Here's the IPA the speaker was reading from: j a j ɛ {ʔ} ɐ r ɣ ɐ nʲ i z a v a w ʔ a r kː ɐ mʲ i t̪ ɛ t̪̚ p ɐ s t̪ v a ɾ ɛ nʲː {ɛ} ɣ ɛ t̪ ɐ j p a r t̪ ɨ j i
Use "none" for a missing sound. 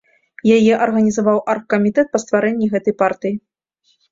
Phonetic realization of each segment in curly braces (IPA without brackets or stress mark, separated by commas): ʔ, i